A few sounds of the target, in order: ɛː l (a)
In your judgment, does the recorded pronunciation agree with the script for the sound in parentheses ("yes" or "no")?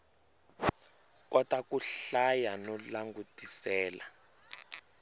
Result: yes